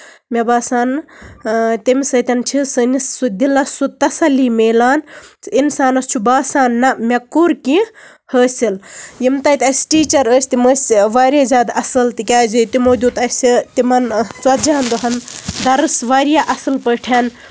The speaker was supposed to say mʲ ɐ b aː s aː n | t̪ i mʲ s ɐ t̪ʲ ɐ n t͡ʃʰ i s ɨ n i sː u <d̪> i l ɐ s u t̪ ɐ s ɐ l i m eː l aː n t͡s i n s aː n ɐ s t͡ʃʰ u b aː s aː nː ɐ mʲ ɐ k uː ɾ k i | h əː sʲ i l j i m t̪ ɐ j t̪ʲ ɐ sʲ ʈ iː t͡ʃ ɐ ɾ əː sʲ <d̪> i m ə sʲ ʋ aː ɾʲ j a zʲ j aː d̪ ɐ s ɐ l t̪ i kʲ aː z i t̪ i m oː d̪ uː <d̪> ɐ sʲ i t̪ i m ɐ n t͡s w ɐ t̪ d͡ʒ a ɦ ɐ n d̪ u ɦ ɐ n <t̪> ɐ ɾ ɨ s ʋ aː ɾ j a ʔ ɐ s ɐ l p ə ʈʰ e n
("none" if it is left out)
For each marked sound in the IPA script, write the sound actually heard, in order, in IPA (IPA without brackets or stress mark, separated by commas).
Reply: d̪, t̪, t̪, d̪